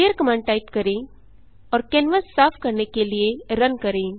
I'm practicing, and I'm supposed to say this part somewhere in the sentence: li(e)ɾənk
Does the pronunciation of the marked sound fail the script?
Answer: no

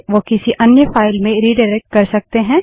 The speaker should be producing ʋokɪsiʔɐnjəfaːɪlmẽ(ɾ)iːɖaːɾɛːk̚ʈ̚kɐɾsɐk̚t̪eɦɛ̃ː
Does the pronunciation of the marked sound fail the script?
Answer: no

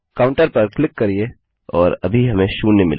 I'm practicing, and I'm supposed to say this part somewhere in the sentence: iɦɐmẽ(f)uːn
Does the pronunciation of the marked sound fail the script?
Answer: yes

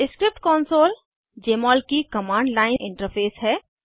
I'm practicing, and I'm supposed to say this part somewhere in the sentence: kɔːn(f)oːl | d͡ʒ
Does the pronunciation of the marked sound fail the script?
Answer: yes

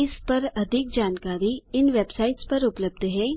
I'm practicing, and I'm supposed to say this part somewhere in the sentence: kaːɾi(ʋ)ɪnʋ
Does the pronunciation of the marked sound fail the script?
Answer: yes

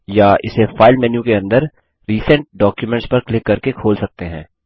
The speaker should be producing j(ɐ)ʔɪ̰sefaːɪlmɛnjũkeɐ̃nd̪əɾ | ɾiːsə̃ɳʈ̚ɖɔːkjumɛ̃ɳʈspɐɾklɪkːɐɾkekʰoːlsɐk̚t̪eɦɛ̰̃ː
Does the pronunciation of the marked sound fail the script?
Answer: yes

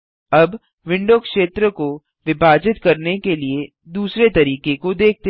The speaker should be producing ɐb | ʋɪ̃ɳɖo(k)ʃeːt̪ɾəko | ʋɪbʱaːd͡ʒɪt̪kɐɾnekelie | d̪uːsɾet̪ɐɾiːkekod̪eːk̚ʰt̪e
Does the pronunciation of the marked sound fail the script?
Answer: no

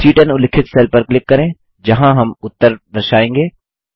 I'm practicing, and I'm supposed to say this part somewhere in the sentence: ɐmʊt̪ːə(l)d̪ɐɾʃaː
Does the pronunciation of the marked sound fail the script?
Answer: yes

